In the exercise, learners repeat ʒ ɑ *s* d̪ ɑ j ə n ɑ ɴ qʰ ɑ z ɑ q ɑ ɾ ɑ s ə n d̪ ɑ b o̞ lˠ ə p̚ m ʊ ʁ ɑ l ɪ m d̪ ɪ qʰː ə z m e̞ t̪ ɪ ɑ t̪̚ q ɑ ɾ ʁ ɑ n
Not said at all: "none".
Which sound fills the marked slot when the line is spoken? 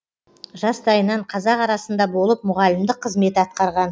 s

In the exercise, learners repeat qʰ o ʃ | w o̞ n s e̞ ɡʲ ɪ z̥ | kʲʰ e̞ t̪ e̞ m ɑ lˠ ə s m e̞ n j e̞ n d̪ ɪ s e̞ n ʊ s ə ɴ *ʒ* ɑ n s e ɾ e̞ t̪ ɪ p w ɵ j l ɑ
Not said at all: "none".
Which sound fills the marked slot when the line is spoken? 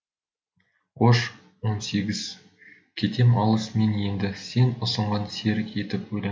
ʁ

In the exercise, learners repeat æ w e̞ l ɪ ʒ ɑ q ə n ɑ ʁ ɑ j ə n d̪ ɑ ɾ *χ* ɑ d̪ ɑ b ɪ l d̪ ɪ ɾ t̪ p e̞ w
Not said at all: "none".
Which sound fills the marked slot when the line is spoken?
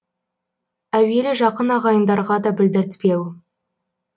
ʁ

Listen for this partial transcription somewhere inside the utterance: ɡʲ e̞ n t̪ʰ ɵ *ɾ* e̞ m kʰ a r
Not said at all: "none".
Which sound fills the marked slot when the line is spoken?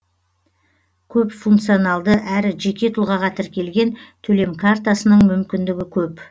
l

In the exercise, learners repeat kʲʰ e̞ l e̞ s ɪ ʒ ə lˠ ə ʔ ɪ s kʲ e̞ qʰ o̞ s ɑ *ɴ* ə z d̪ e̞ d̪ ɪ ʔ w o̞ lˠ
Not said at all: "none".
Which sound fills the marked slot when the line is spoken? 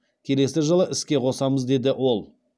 m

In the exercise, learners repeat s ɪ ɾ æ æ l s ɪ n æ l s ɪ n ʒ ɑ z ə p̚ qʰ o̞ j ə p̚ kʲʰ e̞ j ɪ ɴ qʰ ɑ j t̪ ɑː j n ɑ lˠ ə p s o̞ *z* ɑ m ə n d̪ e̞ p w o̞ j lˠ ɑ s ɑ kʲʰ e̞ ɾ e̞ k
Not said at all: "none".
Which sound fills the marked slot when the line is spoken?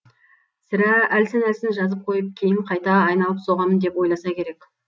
ʁ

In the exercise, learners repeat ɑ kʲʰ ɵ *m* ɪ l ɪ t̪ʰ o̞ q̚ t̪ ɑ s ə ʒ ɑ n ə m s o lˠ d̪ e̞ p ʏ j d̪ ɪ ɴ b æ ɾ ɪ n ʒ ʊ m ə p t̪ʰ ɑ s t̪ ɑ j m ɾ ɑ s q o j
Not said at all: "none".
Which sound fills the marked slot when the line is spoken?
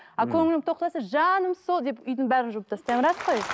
ŋ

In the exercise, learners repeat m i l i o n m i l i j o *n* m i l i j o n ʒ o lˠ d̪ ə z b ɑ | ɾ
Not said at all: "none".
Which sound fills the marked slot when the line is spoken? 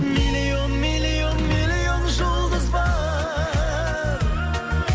n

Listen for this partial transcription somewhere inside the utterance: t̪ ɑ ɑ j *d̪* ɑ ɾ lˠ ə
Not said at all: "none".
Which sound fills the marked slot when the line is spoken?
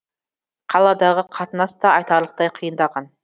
t̪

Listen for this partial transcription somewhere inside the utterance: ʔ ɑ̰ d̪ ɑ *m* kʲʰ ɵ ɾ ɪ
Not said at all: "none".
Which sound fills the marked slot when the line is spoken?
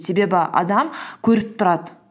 m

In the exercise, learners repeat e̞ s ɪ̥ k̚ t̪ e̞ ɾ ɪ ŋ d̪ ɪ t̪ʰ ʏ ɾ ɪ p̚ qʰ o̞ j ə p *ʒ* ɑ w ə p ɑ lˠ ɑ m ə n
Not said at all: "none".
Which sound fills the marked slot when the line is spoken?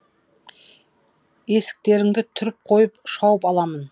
ʃ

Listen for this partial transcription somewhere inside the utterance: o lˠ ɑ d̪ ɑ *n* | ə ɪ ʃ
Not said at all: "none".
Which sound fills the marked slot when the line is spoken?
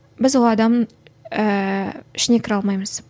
m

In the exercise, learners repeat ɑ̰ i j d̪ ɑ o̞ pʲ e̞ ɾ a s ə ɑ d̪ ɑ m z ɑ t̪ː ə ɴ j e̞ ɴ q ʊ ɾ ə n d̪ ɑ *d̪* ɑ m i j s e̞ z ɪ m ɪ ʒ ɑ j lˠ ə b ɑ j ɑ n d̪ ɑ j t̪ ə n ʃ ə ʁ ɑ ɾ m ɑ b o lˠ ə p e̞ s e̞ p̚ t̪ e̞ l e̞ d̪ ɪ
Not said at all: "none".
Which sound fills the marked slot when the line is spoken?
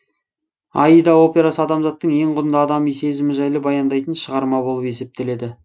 d̪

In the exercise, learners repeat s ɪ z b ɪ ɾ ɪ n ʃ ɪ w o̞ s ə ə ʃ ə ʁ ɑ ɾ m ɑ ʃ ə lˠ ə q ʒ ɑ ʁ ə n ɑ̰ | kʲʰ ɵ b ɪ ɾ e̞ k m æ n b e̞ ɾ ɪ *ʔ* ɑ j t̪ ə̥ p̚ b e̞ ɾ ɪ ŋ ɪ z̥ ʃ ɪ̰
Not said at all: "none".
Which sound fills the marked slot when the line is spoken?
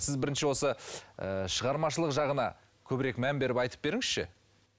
p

